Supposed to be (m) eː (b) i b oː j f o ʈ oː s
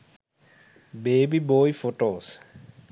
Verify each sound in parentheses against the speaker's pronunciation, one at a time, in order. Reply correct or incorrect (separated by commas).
incorrect, correct